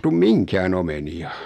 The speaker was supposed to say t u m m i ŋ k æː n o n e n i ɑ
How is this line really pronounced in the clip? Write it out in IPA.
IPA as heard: t u m m i ŋ k æː n o m e n i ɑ